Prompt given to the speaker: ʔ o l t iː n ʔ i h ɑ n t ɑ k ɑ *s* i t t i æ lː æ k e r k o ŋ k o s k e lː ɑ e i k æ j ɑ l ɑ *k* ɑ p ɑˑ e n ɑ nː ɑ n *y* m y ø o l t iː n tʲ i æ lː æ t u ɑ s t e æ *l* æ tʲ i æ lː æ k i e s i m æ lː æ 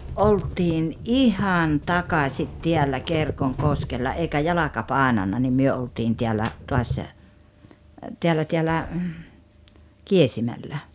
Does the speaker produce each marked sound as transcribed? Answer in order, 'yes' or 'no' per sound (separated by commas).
yes, yes, no, no